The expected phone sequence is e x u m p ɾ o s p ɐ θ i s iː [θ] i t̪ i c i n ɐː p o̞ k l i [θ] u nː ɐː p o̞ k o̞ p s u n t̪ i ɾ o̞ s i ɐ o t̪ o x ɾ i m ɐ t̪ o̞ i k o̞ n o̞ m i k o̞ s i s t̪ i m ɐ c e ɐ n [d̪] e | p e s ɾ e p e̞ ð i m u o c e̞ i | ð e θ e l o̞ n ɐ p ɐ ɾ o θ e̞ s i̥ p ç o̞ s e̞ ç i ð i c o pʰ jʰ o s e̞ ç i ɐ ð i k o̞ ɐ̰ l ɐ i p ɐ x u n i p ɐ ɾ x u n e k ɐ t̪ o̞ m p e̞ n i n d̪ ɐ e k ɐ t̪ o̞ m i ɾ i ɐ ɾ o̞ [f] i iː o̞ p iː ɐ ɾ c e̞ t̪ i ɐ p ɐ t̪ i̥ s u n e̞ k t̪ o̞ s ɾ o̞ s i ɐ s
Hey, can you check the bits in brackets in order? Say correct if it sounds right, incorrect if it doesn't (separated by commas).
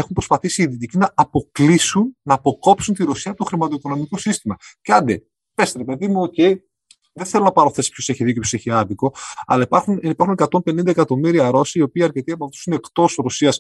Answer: incorrect, incorrect, correct, incorrect